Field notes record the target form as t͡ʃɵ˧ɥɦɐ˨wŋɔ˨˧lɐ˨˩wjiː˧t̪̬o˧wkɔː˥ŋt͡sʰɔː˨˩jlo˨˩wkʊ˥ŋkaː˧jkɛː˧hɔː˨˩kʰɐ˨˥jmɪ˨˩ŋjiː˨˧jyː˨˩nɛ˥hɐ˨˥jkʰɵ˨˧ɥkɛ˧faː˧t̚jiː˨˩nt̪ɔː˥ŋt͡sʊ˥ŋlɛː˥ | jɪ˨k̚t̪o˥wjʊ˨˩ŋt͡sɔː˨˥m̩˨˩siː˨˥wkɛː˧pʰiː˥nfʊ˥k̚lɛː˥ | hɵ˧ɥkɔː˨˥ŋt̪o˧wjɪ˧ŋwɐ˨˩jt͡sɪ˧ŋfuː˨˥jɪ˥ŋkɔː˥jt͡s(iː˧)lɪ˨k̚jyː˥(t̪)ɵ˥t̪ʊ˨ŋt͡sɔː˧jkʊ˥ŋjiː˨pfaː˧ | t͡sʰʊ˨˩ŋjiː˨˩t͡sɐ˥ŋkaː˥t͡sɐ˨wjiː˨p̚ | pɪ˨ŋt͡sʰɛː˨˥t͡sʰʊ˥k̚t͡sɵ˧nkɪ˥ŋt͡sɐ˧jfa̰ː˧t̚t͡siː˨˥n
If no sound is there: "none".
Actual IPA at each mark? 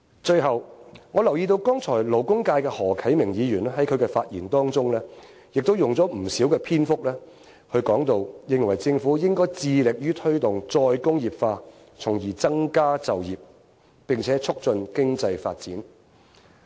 iː˧, t̪ʰ

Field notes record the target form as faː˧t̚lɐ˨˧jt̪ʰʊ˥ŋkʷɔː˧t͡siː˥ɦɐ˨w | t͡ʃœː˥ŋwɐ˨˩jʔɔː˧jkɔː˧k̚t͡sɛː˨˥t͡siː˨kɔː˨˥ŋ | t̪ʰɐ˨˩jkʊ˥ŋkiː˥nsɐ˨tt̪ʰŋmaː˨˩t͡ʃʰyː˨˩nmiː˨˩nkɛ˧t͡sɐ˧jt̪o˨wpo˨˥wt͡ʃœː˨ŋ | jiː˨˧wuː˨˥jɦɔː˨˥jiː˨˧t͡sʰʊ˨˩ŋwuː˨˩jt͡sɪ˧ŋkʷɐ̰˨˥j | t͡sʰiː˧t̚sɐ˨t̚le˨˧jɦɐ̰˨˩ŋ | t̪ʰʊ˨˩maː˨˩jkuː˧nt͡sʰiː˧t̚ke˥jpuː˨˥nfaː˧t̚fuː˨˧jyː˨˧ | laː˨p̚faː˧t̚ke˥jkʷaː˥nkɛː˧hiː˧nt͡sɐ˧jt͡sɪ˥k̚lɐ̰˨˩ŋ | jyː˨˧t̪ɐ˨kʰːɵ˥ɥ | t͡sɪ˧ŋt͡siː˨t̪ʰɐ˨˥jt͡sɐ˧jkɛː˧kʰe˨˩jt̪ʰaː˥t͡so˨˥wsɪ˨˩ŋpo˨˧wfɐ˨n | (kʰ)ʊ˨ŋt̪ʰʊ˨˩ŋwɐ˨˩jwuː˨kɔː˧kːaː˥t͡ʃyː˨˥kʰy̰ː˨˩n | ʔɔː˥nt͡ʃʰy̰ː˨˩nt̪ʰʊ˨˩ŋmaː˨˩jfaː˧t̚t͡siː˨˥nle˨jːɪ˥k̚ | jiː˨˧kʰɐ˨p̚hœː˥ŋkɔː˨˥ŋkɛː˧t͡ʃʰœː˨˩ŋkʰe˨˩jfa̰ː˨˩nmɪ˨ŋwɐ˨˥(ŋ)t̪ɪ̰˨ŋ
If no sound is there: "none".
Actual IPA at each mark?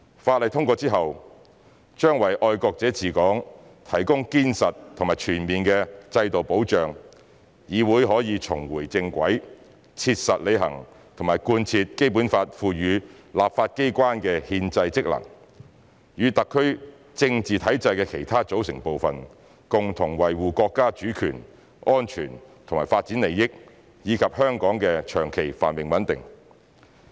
k, n

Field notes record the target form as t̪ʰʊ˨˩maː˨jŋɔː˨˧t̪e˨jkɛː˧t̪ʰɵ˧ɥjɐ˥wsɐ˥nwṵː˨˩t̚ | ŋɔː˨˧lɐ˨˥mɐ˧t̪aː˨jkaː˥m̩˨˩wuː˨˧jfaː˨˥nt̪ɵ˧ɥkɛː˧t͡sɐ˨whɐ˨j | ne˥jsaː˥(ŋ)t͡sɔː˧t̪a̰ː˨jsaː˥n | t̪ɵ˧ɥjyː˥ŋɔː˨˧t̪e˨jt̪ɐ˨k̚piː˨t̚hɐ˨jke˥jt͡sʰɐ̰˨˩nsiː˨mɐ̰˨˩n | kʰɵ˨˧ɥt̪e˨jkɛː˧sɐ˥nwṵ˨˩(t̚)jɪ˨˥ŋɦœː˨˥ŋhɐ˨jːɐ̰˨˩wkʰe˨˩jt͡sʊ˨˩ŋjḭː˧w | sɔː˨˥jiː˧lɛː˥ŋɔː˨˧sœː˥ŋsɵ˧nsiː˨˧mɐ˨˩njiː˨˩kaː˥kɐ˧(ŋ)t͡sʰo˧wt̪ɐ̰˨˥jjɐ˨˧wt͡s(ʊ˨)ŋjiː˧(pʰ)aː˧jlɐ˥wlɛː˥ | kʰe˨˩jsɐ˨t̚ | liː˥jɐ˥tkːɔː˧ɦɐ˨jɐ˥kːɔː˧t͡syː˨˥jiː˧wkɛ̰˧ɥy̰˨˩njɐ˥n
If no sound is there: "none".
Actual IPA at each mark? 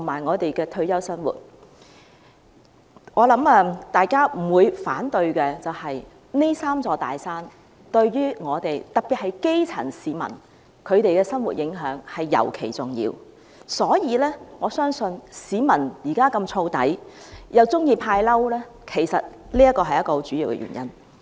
m, t̚, m, ʊ˥, pʰ

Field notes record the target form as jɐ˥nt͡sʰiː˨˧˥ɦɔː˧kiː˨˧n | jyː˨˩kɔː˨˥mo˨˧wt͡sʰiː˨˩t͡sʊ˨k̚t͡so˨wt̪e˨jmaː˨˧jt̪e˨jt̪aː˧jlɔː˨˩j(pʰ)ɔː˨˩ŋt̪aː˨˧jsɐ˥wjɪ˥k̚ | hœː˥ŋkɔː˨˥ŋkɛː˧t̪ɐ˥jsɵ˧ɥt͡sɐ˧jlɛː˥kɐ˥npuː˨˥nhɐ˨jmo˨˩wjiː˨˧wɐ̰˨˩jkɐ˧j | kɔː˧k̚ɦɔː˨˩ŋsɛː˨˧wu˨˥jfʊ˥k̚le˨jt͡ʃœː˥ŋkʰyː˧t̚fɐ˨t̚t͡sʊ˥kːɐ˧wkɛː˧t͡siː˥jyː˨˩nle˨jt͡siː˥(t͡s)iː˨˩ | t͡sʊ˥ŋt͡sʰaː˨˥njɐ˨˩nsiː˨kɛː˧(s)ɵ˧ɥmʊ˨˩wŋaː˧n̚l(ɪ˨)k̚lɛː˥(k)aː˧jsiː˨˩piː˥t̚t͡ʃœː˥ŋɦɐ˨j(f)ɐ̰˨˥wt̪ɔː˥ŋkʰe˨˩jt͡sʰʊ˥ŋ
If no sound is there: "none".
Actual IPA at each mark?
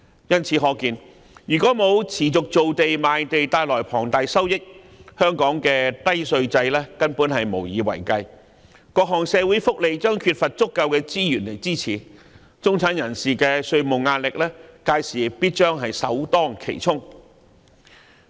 pʰ, t͡sʰ, s, ɪ˨, k, s

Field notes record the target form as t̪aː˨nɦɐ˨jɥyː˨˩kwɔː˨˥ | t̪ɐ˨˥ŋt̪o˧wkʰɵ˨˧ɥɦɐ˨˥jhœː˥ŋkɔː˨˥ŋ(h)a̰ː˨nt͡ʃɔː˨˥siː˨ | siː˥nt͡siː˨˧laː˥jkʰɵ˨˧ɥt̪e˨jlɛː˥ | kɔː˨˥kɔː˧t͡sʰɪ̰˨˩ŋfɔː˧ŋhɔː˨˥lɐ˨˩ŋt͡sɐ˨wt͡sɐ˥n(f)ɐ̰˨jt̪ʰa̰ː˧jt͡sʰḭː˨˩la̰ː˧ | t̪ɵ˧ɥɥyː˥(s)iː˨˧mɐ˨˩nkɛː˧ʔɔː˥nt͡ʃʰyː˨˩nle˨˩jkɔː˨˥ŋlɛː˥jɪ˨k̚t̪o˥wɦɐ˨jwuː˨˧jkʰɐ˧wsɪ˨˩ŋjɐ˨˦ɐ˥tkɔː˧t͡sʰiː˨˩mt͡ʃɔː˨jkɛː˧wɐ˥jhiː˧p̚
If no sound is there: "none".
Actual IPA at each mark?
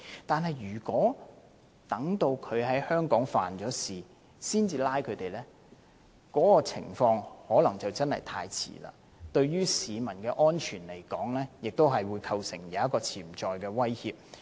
f, h, s

